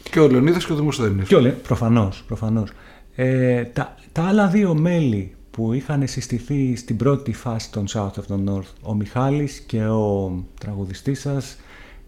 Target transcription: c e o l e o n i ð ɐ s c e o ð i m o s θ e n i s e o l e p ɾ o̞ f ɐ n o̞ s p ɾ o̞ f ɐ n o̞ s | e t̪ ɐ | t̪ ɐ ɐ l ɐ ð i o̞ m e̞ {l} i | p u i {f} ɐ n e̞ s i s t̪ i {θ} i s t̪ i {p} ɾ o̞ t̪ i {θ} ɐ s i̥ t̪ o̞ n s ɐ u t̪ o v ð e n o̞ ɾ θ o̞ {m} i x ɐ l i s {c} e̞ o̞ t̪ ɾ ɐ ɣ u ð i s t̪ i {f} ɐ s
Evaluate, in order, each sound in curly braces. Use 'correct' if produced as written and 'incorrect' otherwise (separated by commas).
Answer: correct, incorrect, correct, incorrect, incorrect, correct, correct, incorrect